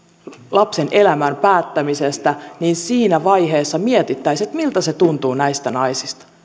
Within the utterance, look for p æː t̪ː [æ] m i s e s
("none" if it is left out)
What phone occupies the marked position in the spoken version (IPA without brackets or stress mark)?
æ